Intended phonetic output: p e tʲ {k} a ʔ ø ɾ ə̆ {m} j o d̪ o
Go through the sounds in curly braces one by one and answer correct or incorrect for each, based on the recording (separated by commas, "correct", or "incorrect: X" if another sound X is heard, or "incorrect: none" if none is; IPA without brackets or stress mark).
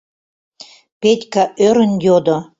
correct, incorrect: n